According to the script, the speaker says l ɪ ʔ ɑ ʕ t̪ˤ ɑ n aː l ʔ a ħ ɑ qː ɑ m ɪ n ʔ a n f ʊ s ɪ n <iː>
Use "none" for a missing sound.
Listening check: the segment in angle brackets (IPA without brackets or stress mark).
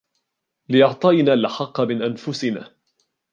aː